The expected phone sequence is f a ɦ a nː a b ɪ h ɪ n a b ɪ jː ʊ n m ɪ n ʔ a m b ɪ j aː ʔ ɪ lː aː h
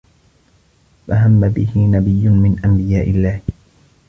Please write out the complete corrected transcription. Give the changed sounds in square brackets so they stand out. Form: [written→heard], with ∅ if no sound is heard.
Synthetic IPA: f a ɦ a [nː→mː] a b ɪ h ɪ n a b ɪ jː ʊ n m ɪ n ʔ a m b ɪ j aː ʔ ɪ lː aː h